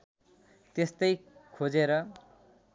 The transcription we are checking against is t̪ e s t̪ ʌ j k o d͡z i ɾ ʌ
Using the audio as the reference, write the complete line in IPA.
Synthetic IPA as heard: t̪ e s t̪ ʌ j kʰ o d͡z e ɾ ʌ